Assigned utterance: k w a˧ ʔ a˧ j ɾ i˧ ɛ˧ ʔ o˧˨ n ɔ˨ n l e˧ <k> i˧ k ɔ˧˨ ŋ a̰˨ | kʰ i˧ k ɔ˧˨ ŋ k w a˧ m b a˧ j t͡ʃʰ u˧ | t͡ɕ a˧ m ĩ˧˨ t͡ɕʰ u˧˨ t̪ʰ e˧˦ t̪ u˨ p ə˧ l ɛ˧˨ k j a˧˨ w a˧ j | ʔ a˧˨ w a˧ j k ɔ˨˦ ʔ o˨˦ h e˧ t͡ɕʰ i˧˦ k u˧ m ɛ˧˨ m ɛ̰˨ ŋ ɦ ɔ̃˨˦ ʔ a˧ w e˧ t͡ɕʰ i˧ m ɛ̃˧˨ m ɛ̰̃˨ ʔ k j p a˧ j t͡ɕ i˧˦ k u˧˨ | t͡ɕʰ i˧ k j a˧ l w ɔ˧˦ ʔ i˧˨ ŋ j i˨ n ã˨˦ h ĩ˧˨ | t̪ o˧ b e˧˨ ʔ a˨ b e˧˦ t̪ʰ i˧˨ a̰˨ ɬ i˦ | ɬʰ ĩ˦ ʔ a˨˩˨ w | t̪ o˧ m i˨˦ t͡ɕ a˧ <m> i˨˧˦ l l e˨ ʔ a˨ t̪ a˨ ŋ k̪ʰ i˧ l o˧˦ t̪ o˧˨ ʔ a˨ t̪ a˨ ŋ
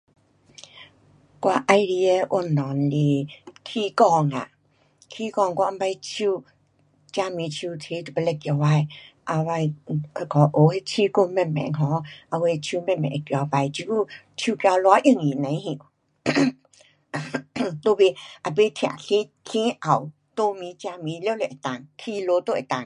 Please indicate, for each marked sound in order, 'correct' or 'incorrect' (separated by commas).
incorrect, correct